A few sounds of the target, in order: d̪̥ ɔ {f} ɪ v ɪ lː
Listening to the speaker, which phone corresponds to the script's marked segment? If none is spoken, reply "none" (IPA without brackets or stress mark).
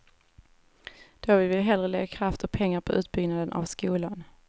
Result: v